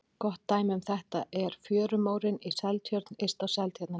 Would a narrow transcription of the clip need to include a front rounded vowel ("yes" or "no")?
yes